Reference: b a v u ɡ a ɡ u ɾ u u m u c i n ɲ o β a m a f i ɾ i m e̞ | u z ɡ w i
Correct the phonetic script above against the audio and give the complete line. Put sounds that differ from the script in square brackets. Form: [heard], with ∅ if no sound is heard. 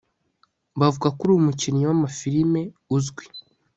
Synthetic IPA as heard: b a v u ɡ a [k] u ɾ u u m u c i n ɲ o [w] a m a f i ɾ i m e̞ | u z ɡ w i